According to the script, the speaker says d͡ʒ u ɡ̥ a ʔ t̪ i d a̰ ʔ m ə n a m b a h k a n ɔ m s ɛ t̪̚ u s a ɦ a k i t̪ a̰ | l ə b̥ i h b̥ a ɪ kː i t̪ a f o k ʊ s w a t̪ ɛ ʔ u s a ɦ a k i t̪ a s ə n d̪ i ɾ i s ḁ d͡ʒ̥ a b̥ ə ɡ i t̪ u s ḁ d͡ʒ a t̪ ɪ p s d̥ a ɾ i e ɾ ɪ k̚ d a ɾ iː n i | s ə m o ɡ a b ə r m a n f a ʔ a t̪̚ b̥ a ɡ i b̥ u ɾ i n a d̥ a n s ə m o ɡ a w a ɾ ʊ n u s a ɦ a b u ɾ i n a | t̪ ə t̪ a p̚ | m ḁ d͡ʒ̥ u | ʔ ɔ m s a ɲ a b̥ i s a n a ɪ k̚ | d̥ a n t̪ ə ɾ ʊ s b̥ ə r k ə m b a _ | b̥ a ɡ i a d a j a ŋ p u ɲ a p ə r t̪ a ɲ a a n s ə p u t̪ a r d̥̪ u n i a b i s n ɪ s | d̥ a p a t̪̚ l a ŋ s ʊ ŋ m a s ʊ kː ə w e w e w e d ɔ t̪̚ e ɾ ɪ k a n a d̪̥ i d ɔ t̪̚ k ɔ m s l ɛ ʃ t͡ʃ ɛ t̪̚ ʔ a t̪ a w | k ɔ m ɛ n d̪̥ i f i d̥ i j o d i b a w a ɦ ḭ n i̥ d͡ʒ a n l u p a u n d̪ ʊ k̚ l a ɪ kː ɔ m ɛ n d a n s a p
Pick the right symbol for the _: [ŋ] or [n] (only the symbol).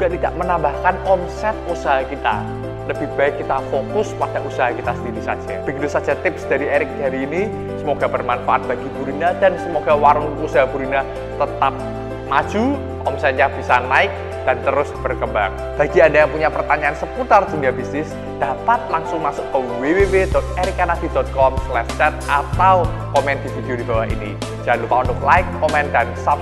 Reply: ŋ